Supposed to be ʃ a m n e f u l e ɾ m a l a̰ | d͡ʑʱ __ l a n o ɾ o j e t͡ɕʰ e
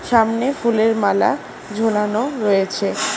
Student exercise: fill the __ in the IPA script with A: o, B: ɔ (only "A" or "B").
A